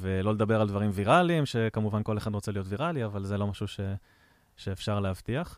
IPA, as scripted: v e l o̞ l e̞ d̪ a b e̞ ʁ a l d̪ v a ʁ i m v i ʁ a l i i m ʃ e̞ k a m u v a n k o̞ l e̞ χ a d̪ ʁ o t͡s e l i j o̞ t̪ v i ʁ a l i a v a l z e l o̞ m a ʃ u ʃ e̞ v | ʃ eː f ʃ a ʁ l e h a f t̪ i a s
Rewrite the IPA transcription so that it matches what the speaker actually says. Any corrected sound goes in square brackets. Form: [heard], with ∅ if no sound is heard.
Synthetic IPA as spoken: v e l o̞ l e̞ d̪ a b e̞ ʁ a l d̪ v a ʁ i m v i ʁ a l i i m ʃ e̞ k a m u v a n k o̞ l e̞ χ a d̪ ʁ o t͡s e l i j o̞ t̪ v i ʁ a l i a v a l z e l o̞ m a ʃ u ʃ e̞ [∅] | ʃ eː f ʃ a ʁ l e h a [v] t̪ i a [χ]